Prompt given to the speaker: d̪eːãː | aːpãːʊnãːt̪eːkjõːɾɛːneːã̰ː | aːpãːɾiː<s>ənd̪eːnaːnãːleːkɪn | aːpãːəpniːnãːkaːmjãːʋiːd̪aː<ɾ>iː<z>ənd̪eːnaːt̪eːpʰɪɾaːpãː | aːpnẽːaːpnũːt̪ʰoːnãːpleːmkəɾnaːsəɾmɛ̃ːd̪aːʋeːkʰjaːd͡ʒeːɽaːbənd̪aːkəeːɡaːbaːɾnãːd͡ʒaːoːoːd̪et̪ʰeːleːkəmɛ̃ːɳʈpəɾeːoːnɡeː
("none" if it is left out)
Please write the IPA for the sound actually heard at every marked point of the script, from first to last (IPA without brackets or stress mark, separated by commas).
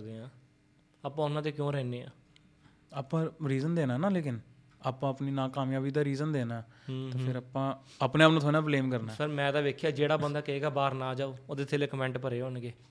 z, ɾ, z